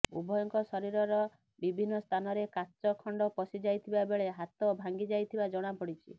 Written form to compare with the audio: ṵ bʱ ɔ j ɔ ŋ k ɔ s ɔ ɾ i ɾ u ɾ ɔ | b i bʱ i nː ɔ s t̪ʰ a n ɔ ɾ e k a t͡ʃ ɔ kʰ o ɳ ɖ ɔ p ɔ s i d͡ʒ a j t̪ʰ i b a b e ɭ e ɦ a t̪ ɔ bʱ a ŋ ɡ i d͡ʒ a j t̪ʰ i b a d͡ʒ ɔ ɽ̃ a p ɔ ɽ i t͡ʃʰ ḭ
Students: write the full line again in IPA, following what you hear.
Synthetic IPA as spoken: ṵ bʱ ɔ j ɔ ŋ k ɔ s ɔ ɾ i ɾ ɔ ɾ ɔ | b i bʱ i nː ɔ s t̪ʰ a n ɔ ɾ e k a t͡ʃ ɔ kʰ ɔ ɳ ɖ ɔ p ɔ s i d͡ʒ a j t̪ʰ i b a b e ɭ e ɦ a t̪ ɔ bʱ a ŋ ɡ i d͡ʒ a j t̪ʰ i b a d͡ʒ ɔ ɽ̃ a p ɔ ɽ i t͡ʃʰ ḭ